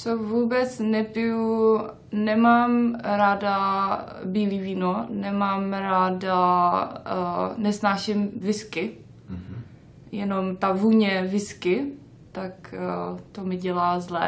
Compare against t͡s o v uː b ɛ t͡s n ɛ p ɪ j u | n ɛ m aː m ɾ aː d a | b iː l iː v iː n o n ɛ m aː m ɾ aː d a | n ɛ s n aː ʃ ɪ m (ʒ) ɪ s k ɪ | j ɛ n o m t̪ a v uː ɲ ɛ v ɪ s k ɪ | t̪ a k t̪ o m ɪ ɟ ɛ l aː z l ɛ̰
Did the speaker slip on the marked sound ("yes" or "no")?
yes